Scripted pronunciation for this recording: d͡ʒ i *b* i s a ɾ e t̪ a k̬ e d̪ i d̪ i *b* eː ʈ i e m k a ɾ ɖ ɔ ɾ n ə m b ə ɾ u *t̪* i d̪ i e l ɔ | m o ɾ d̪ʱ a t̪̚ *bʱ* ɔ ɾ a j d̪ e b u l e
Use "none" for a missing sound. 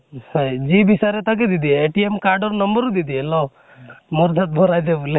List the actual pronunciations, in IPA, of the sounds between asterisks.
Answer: b, none, d̪, bʱ

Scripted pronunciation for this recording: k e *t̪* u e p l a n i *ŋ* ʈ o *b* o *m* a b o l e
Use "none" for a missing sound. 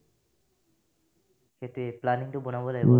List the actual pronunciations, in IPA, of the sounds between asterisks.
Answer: t̪, ŋ, b, n

